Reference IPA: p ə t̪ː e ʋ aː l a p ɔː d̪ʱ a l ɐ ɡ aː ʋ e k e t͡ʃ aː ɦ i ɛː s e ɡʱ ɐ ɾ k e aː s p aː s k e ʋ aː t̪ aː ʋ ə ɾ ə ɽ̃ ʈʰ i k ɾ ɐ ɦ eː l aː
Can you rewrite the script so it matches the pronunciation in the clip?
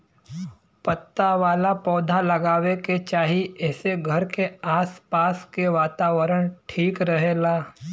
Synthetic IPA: p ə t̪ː a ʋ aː l a p ɔː d̪ʱ a l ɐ ɡ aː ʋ e k e t͡ʃ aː ɦ i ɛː s e ɡʱ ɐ ɾ k e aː s p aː s k e ʋ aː t̪ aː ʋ ə ɾ ə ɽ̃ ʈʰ iː k ɾ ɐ ɦ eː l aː